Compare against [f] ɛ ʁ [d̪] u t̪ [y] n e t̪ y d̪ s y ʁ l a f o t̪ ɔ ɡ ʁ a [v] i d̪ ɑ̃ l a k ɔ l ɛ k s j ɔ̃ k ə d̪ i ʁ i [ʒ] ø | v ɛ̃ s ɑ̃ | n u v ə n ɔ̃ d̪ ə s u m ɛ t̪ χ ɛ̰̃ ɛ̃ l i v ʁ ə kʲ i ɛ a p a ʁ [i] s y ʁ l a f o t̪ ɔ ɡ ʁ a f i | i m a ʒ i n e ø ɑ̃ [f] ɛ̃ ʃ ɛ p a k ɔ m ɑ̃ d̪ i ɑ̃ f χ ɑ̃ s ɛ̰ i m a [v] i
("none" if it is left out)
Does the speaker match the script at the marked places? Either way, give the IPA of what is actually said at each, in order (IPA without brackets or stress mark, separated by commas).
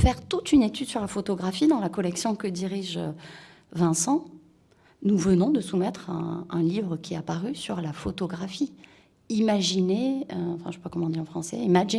f, t̪, y, f, ʒ, y, f, ʒ